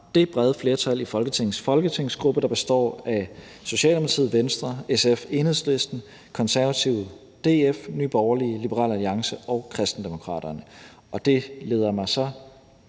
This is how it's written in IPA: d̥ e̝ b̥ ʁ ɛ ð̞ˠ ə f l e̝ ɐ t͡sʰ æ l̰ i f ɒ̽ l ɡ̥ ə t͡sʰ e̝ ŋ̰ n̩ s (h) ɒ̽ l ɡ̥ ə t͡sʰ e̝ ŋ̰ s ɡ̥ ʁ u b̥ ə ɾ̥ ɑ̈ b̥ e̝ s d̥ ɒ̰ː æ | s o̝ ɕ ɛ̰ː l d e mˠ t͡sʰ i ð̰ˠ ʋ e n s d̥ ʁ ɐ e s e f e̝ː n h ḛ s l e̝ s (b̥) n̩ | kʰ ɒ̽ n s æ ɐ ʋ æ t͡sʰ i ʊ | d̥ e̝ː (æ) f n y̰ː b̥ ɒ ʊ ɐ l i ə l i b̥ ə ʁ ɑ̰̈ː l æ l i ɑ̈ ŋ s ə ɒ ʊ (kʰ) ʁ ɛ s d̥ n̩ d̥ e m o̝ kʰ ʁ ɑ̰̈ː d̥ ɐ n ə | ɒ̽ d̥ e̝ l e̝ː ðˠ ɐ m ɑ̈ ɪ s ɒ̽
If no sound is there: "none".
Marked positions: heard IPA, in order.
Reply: f, d̥, e, kʰ

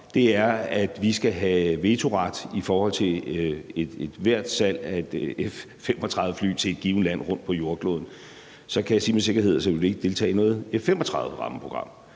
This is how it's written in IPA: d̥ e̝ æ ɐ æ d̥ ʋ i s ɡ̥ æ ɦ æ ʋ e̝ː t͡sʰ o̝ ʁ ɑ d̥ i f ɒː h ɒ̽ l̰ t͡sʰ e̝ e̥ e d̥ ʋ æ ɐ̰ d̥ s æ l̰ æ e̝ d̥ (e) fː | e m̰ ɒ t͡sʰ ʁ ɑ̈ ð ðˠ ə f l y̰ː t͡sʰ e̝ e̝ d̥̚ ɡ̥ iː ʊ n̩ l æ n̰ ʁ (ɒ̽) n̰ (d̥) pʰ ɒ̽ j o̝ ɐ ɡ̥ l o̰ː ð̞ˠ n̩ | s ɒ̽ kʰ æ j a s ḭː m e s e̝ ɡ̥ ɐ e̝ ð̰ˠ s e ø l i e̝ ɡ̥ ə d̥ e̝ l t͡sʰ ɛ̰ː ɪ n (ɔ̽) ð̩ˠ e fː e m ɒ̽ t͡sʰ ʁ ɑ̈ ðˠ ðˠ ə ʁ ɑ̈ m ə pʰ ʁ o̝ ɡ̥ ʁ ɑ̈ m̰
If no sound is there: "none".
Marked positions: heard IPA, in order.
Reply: e, ɔ̽, d̥, ɔ̽ː

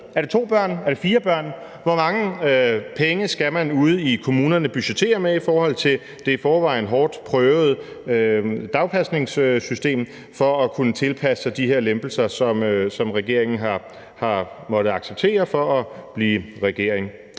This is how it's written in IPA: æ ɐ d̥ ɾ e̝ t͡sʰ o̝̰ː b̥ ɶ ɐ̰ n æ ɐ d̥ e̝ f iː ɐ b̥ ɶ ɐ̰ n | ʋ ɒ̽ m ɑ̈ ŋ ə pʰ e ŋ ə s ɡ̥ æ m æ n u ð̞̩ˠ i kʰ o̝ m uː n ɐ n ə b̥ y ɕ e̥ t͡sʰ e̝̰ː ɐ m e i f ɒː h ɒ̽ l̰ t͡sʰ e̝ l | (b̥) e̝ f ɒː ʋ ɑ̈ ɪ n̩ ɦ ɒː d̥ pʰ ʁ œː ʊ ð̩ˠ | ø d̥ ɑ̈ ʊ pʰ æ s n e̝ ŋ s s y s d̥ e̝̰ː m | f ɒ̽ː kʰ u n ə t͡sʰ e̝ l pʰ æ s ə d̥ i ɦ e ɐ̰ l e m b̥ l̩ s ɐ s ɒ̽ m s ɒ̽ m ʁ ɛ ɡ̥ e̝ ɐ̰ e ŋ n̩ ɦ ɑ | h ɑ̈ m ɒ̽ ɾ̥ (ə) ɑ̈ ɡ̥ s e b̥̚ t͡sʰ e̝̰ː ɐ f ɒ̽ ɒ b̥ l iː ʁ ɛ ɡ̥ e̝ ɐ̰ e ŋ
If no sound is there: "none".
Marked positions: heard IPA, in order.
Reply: d̥, ə

